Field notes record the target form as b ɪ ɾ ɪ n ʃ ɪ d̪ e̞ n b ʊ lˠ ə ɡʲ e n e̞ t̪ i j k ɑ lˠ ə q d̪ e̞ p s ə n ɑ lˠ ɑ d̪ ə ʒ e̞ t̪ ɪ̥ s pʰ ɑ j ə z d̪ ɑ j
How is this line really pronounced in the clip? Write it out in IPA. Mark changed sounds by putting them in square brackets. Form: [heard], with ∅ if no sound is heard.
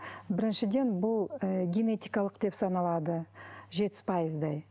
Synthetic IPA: b ɪ ɾ ɪ n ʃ ɪ d̪ e̞ n b ʊ lˠ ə ɡʲ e n e̞ t̪ i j k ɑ lˠ ə q d̪ e̞ p s [ɑ] n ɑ lˠ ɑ d̪ ə ʒ e̞ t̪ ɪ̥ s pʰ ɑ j ə z d̪ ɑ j